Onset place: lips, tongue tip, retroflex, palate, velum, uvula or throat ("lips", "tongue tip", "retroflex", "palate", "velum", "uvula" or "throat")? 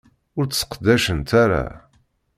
tongue tip